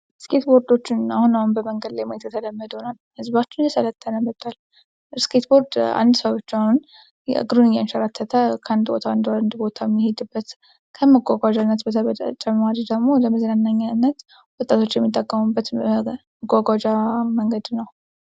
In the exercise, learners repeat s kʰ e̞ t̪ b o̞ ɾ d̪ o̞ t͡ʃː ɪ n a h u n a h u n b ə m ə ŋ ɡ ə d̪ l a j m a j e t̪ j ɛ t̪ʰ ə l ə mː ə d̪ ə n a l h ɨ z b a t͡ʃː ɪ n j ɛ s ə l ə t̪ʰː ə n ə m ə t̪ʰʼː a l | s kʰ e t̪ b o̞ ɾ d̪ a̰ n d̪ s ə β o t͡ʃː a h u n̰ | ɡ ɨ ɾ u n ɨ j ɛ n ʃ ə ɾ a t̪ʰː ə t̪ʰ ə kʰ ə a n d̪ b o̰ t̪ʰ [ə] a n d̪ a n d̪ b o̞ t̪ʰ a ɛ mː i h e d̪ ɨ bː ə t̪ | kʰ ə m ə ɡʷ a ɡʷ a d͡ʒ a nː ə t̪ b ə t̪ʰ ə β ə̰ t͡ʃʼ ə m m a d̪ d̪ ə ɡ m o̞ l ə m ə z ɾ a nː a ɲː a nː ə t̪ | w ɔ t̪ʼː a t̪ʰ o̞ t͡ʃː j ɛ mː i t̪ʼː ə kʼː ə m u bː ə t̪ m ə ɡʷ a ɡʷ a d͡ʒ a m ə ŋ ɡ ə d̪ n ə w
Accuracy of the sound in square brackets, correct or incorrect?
incorrect